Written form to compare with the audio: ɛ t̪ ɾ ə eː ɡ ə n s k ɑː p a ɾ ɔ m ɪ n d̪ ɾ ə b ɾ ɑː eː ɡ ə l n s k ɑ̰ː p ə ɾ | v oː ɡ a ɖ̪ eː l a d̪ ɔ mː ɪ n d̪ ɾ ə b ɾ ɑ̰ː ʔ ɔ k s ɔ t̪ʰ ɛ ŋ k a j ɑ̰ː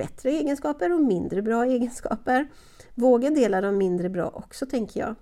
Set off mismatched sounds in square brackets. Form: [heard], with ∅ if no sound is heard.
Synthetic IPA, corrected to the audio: ɛ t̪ ɾ ə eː ɡ ə n s k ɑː p [ə] ɾ ɔ m ɪ n d̪ ɾ ə b ɾ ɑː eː ɡ ə [∅] n s k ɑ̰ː p ə ɾ | v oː ɡ a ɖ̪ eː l a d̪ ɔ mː ɪ n d̪ ɾ ə b ɾ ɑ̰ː ʔ ɔ k s ɔ t̪ʰ ɛ ŋ k [ə] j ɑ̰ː